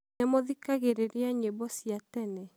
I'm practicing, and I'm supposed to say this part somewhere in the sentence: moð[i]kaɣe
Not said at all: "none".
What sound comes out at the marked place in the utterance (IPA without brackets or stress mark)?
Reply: i